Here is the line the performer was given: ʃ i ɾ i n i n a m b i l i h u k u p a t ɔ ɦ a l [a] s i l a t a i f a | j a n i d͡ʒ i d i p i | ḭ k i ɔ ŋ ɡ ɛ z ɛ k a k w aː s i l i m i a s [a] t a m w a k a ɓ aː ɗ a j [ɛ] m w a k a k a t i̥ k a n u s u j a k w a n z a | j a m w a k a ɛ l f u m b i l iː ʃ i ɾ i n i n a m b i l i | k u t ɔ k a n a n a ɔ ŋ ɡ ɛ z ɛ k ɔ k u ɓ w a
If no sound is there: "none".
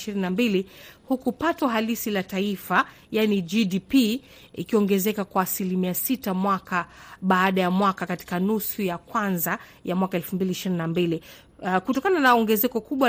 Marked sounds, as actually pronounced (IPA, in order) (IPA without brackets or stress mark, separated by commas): i, i, a